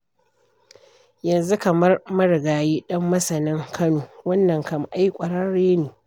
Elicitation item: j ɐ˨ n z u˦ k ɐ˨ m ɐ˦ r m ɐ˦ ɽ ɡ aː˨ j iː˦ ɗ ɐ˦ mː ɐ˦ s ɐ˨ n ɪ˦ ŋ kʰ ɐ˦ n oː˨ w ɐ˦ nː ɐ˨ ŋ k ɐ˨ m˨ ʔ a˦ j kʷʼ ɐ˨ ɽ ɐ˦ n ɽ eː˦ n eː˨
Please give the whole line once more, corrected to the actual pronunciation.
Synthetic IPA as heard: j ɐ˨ n z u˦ k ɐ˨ m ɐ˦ r m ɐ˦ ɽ ɡ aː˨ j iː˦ ɗ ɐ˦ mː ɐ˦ s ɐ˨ n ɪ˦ ŋ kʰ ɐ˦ n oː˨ w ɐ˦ nː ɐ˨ ŋ k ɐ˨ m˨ ʔ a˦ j kʷʼ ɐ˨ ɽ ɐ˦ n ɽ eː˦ n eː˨